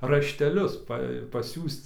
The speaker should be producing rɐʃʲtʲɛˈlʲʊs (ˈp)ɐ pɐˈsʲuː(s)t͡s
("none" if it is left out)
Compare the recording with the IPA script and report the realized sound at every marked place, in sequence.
p, s

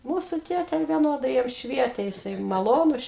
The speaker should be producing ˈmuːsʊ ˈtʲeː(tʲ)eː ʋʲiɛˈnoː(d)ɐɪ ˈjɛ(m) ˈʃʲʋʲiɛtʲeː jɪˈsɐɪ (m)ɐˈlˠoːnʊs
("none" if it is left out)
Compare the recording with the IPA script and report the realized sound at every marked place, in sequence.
tʲ, d, m, m

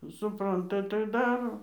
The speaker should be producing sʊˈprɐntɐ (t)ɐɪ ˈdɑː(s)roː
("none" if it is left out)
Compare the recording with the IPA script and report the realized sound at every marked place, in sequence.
t, none

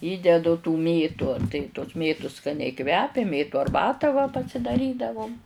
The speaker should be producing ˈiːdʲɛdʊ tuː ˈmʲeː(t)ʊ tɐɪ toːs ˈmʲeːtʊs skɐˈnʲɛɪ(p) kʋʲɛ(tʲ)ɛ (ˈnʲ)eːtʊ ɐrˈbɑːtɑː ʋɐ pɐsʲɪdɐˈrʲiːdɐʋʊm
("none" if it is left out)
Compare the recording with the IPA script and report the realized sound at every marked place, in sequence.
t, none, pʲ, mʲ

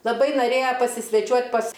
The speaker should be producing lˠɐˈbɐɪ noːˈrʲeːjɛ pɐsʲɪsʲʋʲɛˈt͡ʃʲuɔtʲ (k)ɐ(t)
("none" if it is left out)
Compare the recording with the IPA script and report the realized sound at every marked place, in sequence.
p, s

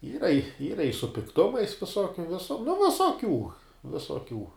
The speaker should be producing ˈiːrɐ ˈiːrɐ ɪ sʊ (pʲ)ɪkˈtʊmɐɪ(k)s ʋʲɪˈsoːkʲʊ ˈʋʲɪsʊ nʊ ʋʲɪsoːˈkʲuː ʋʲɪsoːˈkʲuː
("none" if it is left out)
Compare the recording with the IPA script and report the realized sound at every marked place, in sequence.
pʲ, none

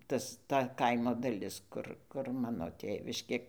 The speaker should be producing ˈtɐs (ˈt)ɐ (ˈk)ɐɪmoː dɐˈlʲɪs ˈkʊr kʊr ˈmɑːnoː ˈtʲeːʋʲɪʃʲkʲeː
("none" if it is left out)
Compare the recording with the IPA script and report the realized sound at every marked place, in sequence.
t, k

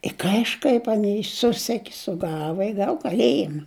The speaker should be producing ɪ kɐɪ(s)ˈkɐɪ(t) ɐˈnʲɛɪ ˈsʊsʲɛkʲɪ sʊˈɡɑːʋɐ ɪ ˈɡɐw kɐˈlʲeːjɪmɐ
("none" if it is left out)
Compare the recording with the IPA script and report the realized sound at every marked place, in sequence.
ʃ, p

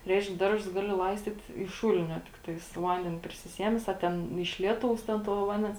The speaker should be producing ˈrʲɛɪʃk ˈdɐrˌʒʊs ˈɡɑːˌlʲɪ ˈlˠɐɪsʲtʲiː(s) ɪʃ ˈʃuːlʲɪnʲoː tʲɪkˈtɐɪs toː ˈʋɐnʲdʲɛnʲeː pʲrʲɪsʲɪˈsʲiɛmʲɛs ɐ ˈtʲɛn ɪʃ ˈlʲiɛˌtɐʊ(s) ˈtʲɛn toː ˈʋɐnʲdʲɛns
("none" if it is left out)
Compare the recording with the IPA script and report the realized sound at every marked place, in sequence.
t, s

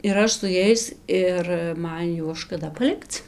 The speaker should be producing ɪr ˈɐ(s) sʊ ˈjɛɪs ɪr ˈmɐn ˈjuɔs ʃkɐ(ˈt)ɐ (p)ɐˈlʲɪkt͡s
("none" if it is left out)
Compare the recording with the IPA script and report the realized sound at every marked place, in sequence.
ʃ, d, p

